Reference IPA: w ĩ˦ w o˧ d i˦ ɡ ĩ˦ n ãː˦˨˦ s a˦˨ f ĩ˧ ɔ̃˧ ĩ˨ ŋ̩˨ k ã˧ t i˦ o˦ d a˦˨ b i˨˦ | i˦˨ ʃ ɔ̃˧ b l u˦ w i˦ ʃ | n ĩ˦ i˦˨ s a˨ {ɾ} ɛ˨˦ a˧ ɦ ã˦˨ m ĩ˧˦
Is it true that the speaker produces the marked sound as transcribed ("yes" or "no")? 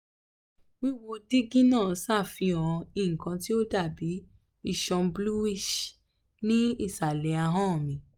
no